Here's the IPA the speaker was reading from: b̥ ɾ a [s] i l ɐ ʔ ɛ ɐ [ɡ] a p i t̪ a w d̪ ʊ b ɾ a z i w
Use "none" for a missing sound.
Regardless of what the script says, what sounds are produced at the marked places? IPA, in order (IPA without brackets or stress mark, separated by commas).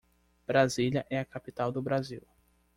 z, k